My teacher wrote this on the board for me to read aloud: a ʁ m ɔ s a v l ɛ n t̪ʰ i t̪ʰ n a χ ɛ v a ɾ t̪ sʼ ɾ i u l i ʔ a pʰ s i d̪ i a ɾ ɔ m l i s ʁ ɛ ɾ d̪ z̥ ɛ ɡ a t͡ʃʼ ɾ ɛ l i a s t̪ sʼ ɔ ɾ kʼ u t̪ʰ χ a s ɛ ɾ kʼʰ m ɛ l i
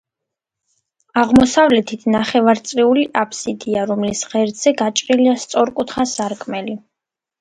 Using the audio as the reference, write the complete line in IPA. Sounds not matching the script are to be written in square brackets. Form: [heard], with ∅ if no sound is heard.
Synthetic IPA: a ʁ m ɔ s a v l ɛ [∅] t̪ʰ i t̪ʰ n a χ ɛ v a ɾ t̪ sʼ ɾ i u l i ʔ a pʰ s i d̪ i a ɾ ɔ m l i s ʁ ɛ ɾ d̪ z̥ ɛ ɡ a t͡ʃʼ ɾ [i] l i a s t̪ sʼ ɔ ɾ kʼ u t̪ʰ χ a s [a] ɾ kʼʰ m ɛ l i